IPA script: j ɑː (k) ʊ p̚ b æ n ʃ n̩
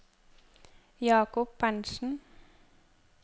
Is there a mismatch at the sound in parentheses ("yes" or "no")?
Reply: no